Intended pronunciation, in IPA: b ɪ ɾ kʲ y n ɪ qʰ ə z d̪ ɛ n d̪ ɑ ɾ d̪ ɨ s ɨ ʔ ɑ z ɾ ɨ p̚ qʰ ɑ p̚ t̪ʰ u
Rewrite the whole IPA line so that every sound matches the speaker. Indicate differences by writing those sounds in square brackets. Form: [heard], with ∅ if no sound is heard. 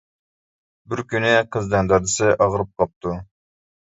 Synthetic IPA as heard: b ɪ ɾ kʲ y n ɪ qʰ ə z d̪ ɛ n d̪ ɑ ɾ d̪ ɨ s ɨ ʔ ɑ [ʁ] ɾ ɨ p̚ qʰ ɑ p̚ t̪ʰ u